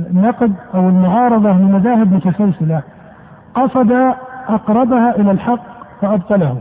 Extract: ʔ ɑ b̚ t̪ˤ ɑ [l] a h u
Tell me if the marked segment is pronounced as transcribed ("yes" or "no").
yes